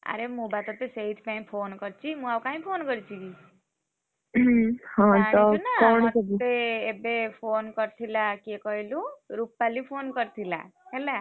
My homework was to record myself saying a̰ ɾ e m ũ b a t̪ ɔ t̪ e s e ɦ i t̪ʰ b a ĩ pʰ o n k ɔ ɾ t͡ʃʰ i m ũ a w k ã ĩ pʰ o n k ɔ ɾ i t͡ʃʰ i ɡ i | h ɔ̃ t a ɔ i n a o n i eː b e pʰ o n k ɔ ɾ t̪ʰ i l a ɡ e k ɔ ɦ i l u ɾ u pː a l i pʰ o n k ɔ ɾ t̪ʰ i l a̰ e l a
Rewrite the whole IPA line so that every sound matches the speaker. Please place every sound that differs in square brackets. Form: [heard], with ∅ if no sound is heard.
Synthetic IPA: a̰ ɾ e m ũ b a t̪ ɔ t̪ e s e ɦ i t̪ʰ [p] a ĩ pʰ o n k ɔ ɾ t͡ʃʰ i m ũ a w k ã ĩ pʰ o n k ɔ ɾ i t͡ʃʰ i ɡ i | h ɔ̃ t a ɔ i n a o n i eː b e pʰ o n k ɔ ɾ t̪ʰ i l a [k] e k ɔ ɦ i l u ɾ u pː a l i pʰ o n k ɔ ɾ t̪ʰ i l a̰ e l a